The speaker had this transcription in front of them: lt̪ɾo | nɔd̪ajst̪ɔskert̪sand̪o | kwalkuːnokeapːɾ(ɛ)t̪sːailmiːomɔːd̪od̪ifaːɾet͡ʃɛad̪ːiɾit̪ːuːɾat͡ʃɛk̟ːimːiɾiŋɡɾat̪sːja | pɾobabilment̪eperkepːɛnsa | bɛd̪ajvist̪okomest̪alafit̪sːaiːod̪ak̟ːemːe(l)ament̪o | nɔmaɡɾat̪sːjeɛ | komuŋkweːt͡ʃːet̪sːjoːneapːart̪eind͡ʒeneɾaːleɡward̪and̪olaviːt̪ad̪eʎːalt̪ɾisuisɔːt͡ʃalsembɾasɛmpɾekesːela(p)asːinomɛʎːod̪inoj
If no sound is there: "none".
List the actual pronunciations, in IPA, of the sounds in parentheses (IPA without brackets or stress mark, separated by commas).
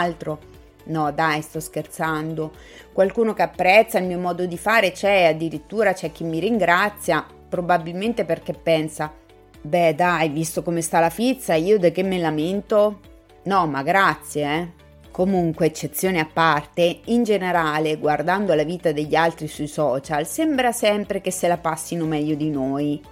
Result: ɛ, l, p